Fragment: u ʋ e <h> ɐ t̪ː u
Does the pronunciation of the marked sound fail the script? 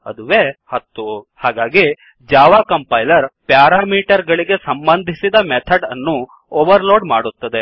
no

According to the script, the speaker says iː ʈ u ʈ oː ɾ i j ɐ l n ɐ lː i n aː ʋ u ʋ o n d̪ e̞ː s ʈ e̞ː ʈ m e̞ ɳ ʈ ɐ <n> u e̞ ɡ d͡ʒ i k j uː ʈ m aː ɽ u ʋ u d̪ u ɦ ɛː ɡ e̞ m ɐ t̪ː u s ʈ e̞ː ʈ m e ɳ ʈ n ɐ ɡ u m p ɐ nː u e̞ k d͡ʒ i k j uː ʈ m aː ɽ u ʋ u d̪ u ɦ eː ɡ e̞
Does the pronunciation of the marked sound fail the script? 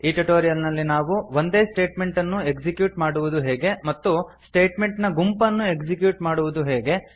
yes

